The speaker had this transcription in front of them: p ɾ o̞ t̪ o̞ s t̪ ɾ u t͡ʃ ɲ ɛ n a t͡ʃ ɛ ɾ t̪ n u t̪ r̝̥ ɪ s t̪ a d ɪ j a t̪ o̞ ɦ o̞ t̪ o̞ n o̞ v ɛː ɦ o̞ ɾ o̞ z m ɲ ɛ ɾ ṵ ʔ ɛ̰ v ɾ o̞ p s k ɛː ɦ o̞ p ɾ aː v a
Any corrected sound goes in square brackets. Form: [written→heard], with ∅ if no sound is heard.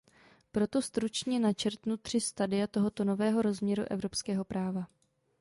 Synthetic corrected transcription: p ɾ o̞ t̪ o̞ s t̪ ɾ u t͡ʃ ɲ ɛ n a t͡ʃ ɛ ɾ t̪ n u t̪ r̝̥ ɪ s t̪ a d ɪ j a t̪ o̞ ɦ o̞ t̪ o̞ n o̞ v ɛː ɦ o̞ ɾ o̞ z m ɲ ɛ ɾ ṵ ʔ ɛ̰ v ɾ o̞ p s k ɛː ɦ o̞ p ɾ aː v a